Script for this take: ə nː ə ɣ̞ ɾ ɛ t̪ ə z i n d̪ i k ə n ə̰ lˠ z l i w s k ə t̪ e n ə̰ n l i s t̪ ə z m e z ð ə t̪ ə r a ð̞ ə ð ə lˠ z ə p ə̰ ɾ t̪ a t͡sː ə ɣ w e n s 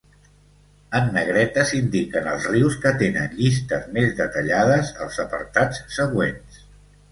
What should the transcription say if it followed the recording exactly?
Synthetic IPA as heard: ə nː ə ɣ̞ ɾ ɛ t̪ ə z i n d̪ i k ə n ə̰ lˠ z r i w s k ə t̪ e n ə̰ n ʎ i s t̪ ə z m e z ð ə t̪ ə ʎ a ð̞ ə z ə lˠ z ə p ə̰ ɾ t̪ a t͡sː ə ɣ w e n s